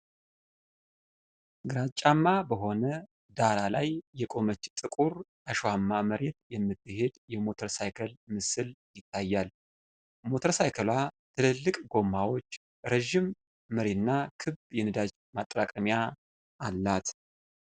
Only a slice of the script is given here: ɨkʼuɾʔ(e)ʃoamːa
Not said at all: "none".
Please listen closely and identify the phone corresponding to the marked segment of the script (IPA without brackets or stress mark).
a